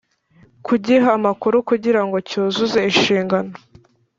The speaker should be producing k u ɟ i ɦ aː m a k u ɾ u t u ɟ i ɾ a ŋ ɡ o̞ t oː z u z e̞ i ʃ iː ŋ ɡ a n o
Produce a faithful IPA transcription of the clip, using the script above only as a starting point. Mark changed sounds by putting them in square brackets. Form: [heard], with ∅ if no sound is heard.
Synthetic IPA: k u ɟ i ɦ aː m a k u ɾ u [k] u ɟ i ɾ a ŋ ɡ o̞ [c] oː z u z e̞ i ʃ iː ŋ ɡ a n o